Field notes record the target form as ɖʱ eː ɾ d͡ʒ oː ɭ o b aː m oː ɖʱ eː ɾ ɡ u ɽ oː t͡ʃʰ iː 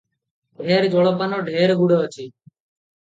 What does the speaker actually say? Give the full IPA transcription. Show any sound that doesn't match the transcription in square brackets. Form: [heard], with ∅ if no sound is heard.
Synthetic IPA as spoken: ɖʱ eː ɾ d͡ʒ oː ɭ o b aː [n] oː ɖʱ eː ɾ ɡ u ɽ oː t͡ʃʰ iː